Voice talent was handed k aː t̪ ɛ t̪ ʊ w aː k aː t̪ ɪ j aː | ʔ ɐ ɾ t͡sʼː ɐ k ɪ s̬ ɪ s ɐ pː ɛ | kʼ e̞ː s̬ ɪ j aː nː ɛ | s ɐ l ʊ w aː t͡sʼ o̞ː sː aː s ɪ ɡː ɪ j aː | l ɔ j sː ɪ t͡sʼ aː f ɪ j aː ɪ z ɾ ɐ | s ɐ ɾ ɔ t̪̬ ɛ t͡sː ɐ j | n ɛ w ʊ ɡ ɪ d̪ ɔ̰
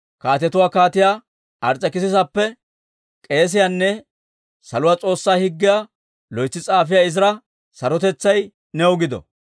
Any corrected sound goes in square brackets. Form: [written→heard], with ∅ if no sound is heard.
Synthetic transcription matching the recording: k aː t̪ ɛ t̪ ʊ w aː k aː t̪ ɪ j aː | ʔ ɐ ɾ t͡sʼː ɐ k ɪ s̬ ɪ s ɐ pː ɛ | kʼ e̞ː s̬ ɪ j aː nː ɛ | s ɐ l ʊ w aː t͡sʼ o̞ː sː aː [s→h] ɪ ɡː ɪ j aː | l ɔ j [sː→t͡sː] ɪ t͡sʼ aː f ɪ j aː ɪ z ɾ ɐ | s ɐ ɾ ɔ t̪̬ ɛ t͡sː ɐ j | n ɛ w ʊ ɡ ɪ d̪ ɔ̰

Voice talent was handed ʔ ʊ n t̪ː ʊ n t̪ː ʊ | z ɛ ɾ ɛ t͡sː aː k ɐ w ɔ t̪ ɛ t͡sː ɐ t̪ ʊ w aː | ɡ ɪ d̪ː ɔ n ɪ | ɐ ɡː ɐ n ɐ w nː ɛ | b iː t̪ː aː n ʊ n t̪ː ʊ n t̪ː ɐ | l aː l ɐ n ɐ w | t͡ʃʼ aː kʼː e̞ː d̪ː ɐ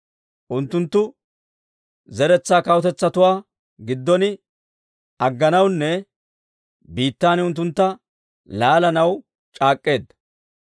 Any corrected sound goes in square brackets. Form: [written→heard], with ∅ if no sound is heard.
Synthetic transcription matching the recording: ʔ ʊ n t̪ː ʊ n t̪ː ʊ | z ɛ ɾ ɛ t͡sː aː k ɐ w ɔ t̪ ɛ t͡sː ɐ t̪ ʊ w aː | ɡ ɪ d̪ː ɔ n ɪ | ɐ ɡː ɐ n ɐ w nː ɛ | b iː t̪ː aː n ʊ n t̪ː ʊ n t̪ː ɐ | l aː l ɐ n ɐ w | t͡ʃʼ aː kʼː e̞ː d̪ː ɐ

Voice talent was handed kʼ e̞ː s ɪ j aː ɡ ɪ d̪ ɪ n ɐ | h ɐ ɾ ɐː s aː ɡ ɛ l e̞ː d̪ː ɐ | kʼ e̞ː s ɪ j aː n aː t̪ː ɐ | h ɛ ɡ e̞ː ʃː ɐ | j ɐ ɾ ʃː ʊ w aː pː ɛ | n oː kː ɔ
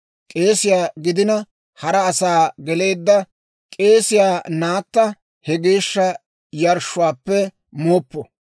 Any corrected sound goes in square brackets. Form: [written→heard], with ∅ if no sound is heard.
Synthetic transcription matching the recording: kʼ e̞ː s ɪ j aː ɡ ɪ d̪ ɪ n ɐ | h ɐ ɾ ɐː s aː ɡ ɛ l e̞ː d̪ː ɐ | kʼ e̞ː s ɪ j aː n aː t̪ː ɐ | h ɛ ɡ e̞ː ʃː ɐ | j ɐ ɾ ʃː ʊ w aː pː ɛ | [n→m] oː [kː→pː] ɔ

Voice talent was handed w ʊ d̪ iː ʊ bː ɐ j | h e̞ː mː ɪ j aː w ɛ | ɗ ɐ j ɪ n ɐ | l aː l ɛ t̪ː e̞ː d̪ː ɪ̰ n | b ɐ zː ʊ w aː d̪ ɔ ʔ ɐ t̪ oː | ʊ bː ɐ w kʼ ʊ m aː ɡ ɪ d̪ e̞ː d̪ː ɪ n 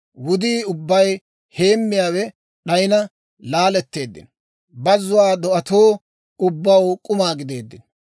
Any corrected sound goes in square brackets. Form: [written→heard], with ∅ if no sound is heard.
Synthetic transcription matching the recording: w ʊ d̪ iː ʊ bː ɐ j | h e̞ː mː ɪ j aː w ɛ | ɗ ɐ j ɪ n ɐ | l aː l ɛ t̪ː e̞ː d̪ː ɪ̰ n | b ɐ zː ʊ w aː d̪ ɔ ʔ ɐ t̪ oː | ʊ bː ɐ w kʼ ʊ m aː ɡ ɪ d̪ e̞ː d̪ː ɪ n

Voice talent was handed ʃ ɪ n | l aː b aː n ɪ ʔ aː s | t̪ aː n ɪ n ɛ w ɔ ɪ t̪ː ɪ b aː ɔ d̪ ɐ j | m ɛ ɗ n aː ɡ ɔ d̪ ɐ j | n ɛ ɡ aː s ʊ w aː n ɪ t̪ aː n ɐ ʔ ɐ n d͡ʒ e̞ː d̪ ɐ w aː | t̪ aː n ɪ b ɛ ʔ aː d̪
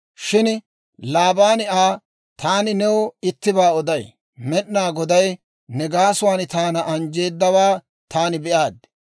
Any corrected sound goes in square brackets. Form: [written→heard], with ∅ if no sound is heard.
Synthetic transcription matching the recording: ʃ ɪ n | l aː b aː n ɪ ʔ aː [s→∅] | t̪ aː n ɪ n ɛ w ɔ ɪ t̪ː ɪ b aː ɔ d̪ ɐ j | m ɛ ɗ n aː ɡ ɔ d̪ ɐ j | n ɛ ɡ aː s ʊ w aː n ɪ t̪ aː n ɐ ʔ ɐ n d͡ʒ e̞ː [d̪→d̪ː] ɐ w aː | t̪ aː n ɪ b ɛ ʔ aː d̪

